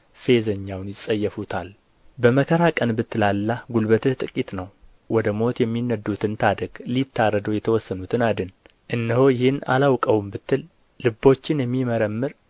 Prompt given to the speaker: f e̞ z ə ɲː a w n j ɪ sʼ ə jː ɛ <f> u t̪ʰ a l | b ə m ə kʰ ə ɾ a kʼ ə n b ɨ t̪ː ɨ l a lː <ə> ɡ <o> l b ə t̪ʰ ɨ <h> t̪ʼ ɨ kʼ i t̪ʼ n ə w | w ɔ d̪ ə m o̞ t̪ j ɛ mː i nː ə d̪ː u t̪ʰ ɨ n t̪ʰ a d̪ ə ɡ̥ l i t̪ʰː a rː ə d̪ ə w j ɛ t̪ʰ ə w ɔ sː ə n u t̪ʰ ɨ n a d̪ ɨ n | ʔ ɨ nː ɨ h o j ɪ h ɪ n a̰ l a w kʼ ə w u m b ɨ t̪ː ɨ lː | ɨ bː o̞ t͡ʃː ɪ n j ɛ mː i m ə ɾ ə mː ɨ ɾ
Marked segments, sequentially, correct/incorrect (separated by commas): correct, incorrect, incorrect, correct